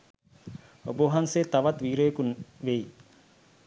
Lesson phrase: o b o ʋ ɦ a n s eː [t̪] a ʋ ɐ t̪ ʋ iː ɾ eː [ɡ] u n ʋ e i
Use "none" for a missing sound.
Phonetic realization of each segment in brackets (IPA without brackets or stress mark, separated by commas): t̪, k